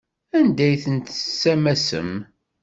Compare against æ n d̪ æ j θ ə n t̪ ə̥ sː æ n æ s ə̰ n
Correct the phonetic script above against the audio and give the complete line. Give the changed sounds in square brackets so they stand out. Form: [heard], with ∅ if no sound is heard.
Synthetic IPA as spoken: æ n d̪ æ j θ ə n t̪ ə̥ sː æ [m] æ s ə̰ [m]